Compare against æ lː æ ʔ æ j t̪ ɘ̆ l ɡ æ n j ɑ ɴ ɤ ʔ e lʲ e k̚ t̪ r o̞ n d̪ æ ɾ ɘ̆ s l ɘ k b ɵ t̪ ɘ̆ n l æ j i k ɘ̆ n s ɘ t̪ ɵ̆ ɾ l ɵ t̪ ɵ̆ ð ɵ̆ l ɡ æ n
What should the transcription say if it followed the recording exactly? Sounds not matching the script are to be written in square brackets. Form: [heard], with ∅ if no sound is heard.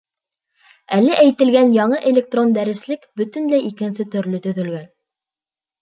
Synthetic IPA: æ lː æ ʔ æ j t̪ ɘ̆ l ɡ æ n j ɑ ɴ ɤ ʔ e lʲ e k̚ t̪ r o̞ n d̪ æ ɾ ɘ̆ s l ɘ k b ɵ t̪ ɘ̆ n l æ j i k ɘ̆ n s ɘ t̪ ɵ̆ ɾ l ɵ t̪ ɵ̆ ð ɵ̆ l ɡ æ n